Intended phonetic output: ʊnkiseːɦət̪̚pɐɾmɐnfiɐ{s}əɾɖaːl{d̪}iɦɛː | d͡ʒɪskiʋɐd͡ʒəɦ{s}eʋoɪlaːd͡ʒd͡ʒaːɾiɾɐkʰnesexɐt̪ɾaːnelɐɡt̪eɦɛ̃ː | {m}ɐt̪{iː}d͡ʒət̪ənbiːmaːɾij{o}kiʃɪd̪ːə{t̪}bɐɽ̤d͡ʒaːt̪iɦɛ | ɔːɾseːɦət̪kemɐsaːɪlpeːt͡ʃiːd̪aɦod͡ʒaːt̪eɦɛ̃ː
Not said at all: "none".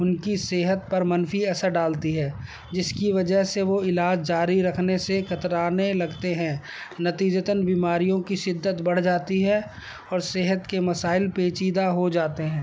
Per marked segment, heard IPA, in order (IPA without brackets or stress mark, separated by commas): s, t̪, s, n, iː, õ, t̪